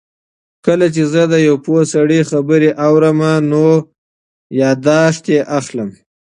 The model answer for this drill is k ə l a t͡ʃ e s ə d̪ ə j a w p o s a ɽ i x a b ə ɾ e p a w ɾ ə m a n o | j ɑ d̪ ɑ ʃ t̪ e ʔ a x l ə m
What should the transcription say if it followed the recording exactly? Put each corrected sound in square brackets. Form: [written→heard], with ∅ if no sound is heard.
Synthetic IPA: k ə l a t͡ʃ e [s→z] ə d̪ ə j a w p o s a ɽ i x a b ə ɾ e [p→ʔ] a w ɾ ə m a n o | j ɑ d̪ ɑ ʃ t̪ e ʔ a x l ə m

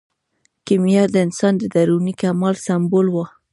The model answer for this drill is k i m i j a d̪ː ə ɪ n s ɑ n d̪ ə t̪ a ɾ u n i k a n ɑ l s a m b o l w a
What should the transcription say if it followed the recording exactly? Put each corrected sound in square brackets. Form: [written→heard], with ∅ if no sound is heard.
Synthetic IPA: k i m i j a [d̪ː→d̪] ə ɪ n s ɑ n d̪ ə [t̪→d̪] a ɾ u n i k a [n→m] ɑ l s a m b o l w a

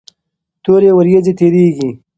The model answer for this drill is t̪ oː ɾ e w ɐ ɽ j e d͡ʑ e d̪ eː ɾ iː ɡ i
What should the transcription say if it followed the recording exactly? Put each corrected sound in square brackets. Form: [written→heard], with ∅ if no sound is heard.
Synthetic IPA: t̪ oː ɾ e w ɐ [ɽ→ɾ] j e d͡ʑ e [d̪→t̪] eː ɾ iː ɡ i

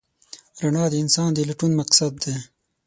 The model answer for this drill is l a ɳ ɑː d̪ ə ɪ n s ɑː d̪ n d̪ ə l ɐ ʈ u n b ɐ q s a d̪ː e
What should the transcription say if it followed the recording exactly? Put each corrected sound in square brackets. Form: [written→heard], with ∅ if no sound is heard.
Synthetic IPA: [l→ɾ] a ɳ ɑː d̪ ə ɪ n s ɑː [d̪→∅] n d̪ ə l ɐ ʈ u n [b→m] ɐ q s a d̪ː e

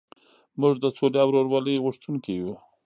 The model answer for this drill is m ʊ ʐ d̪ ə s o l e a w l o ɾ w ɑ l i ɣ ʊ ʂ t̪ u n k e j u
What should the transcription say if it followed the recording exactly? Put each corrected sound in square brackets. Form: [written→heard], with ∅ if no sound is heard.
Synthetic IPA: m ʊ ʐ d̪ ə s o l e a w [l→ɾ] o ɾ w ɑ l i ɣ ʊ ʂ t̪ u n k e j u

